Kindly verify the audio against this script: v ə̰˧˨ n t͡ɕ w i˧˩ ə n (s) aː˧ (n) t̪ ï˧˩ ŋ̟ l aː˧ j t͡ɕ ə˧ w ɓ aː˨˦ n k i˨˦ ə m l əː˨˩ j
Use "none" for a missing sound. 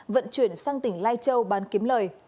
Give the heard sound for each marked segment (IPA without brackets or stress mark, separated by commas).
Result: s, ŋ